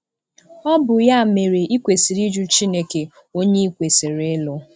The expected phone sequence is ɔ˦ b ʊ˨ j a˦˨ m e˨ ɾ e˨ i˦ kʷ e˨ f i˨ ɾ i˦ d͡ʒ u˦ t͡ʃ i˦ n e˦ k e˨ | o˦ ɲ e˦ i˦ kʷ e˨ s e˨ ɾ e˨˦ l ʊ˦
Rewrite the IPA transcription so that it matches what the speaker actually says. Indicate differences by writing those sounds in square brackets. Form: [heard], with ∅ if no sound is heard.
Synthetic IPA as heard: ɔ˦ b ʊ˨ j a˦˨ m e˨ ɾ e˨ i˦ kʷ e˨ [s] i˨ ɾ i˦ d͡ʒ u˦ t͡ʃ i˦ n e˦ k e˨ | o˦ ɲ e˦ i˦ kʷ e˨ s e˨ ɾ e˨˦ l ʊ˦